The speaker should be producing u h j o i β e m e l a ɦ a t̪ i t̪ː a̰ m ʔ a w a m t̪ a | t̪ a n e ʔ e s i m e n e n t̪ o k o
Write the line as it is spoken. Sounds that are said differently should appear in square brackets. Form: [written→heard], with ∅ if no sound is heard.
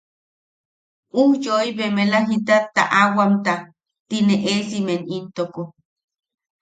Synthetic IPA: u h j o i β e m e l a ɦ [a→i] t̪ [i→a] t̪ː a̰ [m→∅] ʔ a w a m t̪ a | t̪ [a→i] n e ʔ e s i m e n [e→i] n t̪ o k o